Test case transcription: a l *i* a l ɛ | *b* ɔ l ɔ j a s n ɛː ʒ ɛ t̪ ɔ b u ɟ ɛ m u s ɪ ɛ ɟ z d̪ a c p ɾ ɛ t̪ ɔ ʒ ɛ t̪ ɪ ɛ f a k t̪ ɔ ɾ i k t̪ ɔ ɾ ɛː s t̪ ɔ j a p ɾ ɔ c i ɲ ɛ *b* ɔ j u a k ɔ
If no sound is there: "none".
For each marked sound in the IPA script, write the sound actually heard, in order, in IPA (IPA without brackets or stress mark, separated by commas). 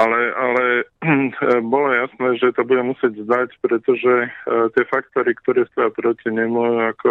ɛ, b, m